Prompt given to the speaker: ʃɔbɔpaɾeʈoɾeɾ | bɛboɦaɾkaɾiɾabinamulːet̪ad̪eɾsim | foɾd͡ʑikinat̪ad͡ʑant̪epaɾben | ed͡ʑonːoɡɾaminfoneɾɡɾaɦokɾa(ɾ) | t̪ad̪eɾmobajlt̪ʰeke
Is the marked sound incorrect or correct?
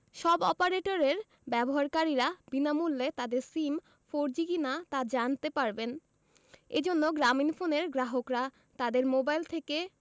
incorrect: none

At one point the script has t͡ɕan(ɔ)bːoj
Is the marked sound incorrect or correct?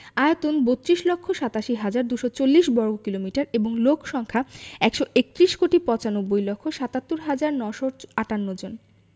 incorrect: o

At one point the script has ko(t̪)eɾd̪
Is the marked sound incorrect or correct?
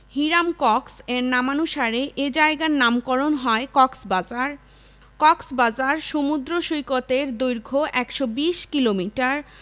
correct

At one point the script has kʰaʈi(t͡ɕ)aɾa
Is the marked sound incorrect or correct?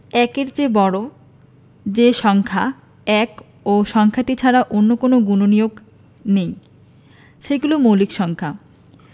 incorrect: t͡ɕʰ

